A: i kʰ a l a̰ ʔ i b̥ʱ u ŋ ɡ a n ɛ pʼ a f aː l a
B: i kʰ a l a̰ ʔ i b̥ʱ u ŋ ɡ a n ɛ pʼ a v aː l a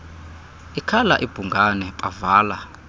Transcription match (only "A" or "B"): B